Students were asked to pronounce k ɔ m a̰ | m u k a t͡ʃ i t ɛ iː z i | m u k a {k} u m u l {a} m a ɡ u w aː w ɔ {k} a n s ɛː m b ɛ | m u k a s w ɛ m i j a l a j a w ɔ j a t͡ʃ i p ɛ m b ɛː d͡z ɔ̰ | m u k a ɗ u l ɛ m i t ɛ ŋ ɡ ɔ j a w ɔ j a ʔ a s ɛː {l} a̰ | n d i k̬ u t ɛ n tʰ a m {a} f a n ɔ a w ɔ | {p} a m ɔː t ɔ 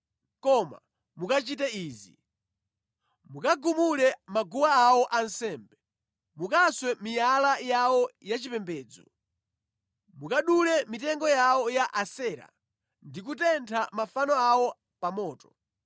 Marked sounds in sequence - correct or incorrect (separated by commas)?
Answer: incorrect, incorrect, incorrect, incorrect, correct, correct